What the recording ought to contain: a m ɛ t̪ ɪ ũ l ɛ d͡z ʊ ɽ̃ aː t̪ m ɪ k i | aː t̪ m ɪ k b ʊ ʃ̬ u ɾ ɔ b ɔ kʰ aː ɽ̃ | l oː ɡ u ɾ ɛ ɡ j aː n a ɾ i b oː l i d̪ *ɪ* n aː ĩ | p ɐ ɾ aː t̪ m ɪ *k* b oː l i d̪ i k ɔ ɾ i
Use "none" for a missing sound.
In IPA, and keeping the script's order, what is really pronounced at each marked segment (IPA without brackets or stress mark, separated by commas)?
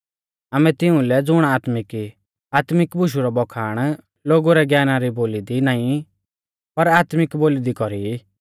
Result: i, k